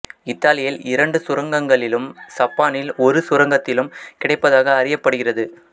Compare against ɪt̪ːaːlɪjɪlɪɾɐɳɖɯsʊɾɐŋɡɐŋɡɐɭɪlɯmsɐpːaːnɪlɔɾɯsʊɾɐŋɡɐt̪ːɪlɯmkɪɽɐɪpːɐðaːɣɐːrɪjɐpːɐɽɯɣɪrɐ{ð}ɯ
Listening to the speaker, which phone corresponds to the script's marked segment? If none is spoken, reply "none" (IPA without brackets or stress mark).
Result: ð